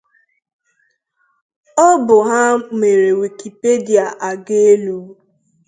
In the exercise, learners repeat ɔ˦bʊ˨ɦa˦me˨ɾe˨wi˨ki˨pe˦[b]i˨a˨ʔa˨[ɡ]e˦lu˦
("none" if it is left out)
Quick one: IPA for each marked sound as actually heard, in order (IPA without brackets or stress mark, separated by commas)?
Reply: d, ɡ